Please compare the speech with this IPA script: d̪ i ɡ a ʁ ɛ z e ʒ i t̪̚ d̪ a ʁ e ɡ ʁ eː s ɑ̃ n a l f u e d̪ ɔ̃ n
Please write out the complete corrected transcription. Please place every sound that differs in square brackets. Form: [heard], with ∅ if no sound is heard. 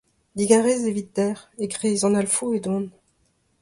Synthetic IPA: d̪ i ɡ a ʁ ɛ z e [v] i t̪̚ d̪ [ɛ] ʁ e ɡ ʁ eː [z] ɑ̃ n a l f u e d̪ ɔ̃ n